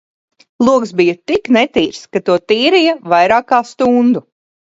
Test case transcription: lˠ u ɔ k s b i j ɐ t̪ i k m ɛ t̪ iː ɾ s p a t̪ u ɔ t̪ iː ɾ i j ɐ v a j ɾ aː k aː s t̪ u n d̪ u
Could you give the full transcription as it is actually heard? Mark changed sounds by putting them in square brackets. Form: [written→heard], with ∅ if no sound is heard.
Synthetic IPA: lˠ u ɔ k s b i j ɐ t̪ i k [m→n] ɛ t̪ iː ɾ s [p→k] a t̪ u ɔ t̪ iː ɾ i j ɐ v a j ɾ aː k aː s t̪ u n d̪ u

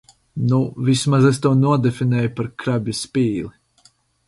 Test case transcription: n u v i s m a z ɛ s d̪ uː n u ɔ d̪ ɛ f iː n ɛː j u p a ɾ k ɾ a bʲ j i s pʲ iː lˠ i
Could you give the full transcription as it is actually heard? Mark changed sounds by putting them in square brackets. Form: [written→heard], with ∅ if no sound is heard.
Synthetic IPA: n u v i s m a z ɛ s [d̪→t̪] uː n u ɔ d̪ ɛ f [iː→i] n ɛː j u p a ɾ k ɾ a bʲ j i s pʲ iː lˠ i

